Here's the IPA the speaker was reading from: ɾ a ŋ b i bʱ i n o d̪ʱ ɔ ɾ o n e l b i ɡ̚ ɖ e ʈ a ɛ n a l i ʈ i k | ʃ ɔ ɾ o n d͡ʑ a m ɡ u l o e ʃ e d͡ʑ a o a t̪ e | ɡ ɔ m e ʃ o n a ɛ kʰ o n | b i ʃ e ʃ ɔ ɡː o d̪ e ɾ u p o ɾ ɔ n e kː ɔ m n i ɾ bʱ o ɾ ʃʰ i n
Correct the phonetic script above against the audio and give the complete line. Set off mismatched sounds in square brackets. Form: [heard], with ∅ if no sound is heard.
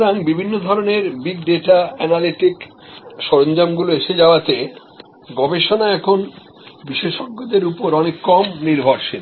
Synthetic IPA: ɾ a ŋ b i bʱ i [nː] o d̪ʱ ɔ ɾ o n e [ɾ] b i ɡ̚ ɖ e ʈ a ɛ n a l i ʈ i k | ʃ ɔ ɾ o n d͡ʑ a m ɡ u l o e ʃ e d͡ʑ a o a t̪ e | ɡ ɔ [b] e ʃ o n a ɛ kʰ o n | b i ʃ e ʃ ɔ ɡː o d̪ e ɾ u p o ɾ ɔ n e kː ɔ m n i ɾ bʱ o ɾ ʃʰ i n